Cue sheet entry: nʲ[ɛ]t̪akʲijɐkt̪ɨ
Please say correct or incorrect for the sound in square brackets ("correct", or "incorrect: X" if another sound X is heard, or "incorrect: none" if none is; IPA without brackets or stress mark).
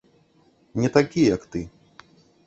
correct